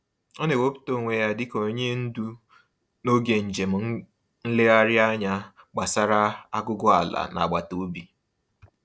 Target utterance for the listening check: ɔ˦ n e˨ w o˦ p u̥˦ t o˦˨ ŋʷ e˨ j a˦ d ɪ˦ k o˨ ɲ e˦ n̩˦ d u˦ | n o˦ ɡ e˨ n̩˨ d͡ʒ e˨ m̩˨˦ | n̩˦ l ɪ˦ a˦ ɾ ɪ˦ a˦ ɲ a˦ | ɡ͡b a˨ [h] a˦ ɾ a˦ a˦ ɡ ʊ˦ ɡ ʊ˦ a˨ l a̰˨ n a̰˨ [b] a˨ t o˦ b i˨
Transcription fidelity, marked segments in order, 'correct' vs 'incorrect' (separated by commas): incorrect, incorrect